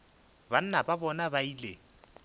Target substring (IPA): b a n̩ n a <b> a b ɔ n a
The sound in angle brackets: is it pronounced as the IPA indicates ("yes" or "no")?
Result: yes